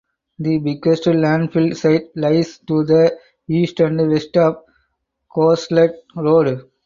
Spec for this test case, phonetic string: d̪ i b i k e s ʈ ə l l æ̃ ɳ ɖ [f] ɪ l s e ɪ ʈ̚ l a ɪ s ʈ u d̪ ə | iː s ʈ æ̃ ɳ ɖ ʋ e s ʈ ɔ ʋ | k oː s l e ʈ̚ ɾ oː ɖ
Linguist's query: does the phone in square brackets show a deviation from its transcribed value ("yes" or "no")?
no